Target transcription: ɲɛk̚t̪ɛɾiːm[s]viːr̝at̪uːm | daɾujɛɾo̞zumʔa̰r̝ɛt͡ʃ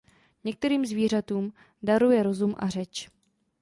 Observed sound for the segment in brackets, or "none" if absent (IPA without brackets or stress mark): z